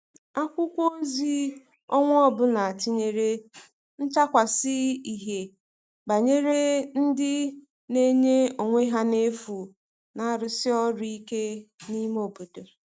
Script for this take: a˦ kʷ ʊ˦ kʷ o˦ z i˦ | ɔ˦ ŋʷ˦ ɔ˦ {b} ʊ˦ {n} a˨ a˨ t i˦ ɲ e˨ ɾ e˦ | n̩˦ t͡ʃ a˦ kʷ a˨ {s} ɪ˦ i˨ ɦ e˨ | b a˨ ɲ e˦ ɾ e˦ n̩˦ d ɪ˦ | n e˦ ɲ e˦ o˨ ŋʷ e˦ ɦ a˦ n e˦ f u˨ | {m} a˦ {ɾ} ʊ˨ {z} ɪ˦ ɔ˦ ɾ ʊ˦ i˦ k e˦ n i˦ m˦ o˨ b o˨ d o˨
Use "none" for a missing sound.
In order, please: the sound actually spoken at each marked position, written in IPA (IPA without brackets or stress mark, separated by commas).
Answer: b, n, s, n, ɾ, s